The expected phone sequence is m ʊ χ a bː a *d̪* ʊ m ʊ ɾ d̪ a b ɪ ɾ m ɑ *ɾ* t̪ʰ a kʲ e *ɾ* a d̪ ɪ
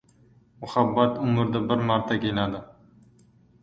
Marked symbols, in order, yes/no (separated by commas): no, yes, no